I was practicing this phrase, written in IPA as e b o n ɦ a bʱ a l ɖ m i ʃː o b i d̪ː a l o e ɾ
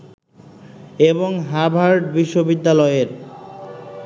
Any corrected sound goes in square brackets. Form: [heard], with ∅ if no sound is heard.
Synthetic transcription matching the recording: e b o [ŋ] ɦ a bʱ a [ɾ] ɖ [b] i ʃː o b i d̪ː a l [ɔ] e ɾ